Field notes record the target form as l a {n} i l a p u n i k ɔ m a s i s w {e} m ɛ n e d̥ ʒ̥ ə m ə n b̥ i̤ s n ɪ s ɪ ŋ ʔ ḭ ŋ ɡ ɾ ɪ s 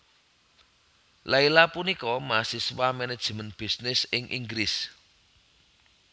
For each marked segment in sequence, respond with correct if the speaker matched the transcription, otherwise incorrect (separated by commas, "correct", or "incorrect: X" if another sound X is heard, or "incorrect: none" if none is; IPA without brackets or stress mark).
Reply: incorrect: none, incorrect: a